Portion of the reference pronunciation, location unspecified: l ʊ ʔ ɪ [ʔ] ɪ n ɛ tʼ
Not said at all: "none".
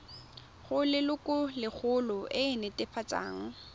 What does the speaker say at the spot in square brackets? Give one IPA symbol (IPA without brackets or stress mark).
none